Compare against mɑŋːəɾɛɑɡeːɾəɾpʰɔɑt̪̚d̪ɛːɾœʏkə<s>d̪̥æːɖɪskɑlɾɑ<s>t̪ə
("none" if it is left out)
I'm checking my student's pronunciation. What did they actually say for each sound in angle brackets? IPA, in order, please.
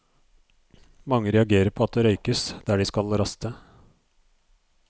s, s

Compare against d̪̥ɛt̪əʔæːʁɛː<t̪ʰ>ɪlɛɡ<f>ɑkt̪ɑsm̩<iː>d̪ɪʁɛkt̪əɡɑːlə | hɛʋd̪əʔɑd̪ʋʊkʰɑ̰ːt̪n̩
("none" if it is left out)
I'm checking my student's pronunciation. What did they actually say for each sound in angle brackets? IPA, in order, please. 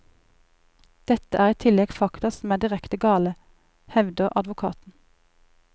t̪ʰ, f, æː

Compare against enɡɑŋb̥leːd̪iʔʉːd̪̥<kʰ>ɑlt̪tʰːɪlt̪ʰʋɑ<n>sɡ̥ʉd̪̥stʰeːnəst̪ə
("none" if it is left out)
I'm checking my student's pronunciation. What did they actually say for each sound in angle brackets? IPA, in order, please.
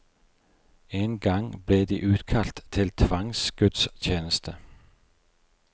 kʰ, ŋ

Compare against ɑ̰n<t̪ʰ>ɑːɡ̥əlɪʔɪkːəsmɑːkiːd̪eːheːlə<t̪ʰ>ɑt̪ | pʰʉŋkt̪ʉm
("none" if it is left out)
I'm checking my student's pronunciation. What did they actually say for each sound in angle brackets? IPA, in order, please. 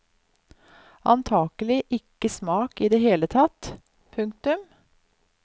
t̪ʰ, t̪ʰ

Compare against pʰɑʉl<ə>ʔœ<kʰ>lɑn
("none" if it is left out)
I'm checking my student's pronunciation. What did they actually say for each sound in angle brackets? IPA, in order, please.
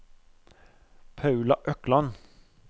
ɑ, k

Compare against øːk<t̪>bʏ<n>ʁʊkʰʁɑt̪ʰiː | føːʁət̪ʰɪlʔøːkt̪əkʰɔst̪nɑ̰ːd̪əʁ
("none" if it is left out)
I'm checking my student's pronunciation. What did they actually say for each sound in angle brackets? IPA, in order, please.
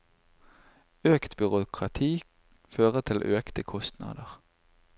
t̪, none

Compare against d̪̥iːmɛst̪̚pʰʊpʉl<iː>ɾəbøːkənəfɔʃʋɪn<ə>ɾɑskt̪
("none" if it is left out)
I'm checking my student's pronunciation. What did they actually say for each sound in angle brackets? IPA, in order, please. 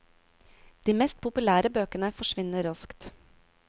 æː, ə

